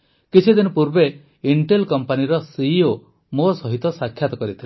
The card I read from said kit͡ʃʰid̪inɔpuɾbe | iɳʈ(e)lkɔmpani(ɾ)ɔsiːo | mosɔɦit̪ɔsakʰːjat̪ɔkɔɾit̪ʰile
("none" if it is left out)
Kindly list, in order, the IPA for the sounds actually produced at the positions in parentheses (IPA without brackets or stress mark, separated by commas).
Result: e, ɾ